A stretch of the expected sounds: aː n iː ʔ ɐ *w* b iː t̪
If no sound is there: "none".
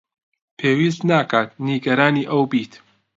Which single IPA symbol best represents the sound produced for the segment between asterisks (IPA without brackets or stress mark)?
w